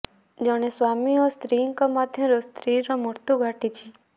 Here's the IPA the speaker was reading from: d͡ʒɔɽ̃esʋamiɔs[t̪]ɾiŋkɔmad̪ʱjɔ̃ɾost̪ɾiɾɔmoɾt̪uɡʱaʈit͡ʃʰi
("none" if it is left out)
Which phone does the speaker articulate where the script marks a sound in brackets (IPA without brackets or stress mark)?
t̪